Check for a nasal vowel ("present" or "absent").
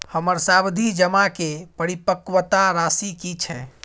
absent